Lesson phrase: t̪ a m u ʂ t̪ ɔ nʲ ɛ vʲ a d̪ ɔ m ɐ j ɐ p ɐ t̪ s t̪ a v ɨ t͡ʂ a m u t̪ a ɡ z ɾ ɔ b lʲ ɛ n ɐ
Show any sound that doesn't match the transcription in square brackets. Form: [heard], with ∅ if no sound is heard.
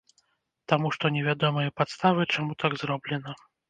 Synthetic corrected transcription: t̪ a m u ʂ t̪ ɔ nʲ ɛ vʲ a d̪ ɔ m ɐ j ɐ p [a] t̪ s t̪ a v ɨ t͡ʂ a m u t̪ a ɡ z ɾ ɔ b lʲ ɛ n ɐ